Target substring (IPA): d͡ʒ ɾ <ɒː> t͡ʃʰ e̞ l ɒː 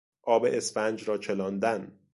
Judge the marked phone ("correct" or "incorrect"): correct